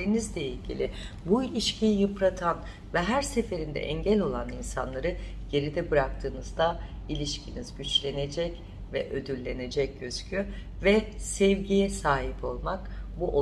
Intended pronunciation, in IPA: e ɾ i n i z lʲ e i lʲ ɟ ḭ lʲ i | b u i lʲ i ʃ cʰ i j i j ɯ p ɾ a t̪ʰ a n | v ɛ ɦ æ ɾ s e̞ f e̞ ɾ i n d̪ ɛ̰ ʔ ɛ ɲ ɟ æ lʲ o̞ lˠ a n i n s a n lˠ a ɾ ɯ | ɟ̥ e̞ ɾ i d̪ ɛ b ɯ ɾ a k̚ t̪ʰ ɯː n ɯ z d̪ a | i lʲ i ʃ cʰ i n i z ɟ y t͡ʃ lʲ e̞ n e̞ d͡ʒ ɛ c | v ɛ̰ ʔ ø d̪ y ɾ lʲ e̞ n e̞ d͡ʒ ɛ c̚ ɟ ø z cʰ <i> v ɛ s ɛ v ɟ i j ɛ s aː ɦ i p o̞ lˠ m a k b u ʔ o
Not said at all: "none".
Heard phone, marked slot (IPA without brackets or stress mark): y